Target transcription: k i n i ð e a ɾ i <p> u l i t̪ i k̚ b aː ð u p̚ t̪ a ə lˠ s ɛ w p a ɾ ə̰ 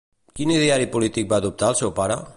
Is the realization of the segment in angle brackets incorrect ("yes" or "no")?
no